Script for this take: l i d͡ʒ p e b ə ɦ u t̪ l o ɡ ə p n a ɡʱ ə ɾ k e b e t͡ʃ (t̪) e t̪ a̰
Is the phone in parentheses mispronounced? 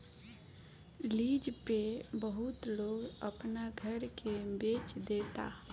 yes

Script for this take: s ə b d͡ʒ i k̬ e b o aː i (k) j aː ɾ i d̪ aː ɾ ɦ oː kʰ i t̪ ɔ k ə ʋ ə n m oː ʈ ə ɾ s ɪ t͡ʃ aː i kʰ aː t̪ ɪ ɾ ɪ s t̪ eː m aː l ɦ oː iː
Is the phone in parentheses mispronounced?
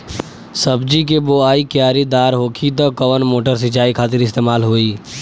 no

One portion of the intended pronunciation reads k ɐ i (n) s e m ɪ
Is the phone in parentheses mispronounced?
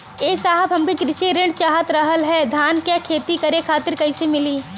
yes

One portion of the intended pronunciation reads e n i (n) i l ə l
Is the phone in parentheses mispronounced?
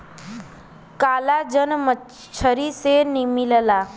yes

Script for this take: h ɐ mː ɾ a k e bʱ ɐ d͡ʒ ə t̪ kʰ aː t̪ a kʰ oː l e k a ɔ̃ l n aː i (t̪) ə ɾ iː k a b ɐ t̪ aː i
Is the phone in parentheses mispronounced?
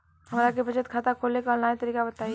no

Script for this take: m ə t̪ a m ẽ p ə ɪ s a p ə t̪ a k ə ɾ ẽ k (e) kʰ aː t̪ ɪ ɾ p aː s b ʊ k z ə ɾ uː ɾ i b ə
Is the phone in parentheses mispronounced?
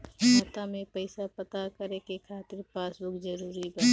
no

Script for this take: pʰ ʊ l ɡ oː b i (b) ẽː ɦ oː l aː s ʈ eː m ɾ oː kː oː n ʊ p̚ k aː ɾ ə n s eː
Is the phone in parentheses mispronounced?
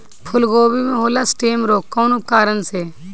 yes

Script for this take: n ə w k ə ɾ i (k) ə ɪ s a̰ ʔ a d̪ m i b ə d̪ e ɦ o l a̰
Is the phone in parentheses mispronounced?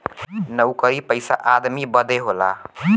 yes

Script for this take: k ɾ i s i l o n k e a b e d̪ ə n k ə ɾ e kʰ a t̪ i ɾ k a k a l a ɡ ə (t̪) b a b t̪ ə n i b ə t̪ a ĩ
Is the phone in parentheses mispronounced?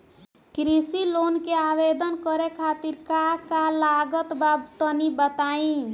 no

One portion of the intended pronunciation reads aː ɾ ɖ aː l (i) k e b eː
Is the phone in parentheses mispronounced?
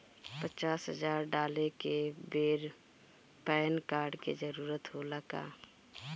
yes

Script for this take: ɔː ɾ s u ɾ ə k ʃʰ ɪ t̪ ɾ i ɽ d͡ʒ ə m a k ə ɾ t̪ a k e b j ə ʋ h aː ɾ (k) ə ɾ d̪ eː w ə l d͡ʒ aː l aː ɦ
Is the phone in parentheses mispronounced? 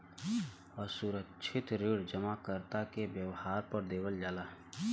yes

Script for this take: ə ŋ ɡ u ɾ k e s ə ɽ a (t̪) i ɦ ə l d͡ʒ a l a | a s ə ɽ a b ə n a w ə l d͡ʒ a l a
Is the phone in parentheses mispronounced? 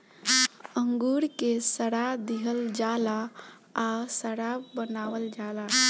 yes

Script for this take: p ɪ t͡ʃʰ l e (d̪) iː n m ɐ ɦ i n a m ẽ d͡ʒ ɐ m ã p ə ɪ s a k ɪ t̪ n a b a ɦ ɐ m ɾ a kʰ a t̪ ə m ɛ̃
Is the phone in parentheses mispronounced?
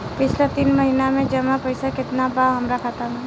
yes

